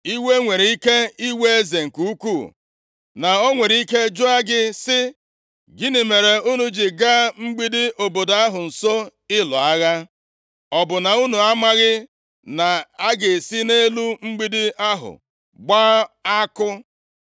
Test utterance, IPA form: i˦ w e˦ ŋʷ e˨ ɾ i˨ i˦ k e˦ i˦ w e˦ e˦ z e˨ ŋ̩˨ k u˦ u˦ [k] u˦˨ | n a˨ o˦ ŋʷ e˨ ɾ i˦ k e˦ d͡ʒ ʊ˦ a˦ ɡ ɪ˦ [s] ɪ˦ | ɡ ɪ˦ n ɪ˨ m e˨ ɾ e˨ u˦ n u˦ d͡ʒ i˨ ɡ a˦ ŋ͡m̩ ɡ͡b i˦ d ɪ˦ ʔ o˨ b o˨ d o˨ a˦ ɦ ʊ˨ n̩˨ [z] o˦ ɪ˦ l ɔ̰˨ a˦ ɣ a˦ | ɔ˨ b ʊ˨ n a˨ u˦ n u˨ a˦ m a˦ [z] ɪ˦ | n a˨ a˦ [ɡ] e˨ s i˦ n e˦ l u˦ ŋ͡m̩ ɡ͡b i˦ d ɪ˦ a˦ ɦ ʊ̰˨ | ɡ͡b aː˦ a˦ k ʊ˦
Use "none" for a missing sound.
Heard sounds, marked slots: k, s, s, ɣ, ɡ

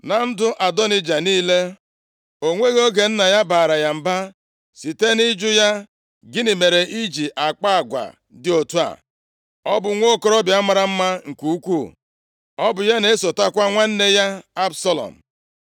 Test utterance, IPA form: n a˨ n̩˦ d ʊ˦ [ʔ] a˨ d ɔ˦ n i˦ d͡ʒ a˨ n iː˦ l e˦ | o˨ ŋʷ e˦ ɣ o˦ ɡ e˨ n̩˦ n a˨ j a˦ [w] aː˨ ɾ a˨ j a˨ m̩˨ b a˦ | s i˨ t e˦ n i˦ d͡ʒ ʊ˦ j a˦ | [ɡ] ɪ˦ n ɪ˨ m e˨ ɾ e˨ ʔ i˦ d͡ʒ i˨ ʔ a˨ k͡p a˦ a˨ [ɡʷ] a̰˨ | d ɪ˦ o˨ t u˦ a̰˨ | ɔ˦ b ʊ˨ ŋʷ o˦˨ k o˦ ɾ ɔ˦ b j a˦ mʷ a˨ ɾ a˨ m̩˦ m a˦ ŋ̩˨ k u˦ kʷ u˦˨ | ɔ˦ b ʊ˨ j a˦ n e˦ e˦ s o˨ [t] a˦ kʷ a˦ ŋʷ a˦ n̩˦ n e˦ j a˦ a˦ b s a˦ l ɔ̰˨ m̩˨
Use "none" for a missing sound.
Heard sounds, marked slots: ʔ, b, ɡ, ɡʷ, t

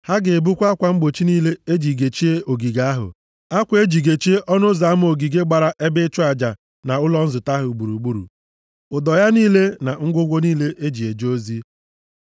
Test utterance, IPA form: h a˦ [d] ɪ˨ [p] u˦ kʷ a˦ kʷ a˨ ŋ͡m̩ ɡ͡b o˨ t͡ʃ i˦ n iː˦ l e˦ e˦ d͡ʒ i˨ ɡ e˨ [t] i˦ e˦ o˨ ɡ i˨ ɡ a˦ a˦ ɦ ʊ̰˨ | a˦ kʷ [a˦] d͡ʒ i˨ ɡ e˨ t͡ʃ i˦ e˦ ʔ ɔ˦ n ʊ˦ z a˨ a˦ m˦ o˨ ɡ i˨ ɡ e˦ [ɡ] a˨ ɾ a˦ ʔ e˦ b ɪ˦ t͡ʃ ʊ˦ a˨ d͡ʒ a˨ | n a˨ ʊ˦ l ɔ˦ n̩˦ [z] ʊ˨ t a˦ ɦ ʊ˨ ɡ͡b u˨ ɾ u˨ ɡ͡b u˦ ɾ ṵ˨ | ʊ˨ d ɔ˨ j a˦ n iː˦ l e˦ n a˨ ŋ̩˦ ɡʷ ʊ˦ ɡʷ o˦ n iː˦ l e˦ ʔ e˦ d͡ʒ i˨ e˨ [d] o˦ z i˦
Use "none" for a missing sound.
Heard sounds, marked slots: ɡ, b, t͡ʃ, e˦, ɡ͡b, z, d͡ʒ

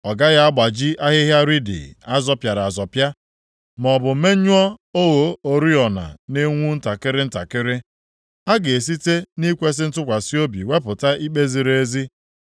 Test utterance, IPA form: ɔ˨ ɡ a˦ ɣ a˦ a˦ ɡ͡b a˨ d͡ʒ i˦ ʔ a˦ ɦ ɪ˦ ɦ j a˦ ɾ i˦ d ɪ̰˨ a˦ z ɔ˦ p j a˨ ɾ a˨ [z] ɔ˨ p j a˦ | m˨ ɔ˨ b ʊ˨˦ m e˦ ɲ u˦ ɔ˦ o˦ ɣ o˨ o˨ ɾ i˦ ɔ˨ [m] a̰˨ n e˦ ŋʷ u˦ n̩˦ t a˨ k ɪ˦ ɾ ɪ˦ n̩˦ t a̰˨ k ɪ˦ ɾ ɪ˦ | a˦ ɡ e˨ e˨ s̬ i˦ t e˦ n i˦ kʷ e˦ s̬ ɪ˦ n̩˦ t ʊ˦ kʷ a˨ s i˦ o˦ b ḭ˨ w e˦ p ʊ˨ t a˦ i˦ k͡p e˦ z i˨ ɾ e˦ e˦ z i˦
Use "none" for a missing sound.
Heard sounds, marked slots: z, n

